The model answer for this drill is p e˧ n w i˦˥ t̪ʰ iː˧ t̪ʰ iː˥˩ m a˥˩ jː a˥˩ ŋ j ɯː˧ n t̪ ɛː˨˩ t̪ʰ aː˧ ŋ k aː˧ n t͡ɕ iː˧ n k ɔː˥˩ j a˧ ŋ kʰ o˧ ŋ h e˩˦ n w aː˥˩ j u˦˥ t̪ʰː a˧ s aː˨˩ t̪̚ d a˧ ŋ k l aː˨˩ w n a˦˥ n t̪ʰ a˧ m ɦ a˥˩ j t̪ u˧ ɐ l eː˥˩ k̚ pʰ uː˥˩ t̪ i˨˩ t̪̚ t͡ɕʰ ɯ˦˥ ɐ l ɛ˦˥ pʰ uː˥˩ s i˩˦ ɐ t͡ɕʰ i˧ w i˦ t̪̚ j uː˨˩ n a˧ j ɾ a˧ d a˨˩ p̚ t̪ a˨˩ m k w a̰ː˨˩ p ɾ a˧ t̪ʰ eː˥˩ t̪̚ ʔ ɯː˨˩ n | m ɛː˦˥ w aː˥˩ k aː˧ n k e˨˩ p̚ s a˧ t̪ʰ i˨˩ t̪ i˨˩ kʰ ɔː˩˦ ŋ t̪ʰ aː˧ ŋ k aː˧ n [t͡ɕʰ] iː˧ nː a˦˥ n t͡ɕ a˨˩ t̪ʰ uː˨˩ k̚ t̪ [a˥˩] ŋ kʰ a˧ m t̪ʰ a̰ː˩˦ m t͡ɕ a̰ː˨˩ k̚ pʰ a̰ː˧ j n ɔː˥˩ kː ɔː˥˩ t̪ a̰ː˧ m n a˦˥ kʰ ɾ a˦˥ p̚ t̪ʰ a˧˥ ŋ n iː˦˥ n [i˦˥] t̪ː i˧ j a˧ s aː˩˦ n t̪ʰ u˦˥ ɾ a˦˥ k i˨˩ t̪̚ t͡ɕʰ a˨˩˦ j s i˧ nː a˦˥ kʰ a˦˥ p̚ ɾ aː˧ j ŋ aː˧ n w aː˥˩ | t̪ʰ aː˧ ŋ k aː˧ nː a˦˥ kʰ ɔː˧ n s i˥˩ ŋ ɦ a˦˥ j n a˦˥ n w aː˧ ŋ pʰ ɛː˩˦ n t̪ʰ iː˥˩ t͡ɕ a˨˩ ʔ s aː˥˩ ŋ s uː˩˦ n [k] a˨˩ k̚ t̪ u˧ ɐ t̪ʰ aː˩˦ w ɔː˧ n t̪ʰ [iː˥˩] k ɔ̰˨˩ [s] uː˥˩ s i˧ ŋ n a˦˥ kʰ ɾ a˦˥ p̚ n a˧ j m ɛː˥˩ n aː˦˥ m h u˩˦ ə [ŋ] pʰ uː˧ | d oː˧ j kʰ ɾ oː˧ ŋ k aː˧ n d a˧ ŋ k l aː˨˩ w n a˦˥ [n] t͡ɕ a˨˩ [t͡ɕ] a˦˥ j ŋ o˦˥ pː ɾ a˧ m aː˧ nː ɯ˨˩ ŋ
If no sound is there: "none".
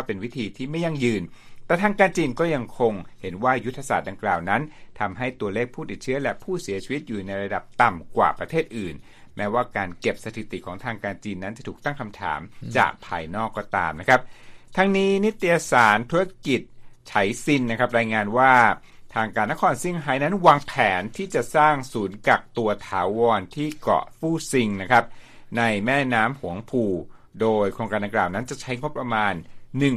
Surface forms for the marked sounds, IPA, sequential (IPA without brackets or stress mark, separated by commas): t͡ɕ, a˥˩, i˦˥, k, iː˥˩, f, ŋ, n, t͡ɕʰ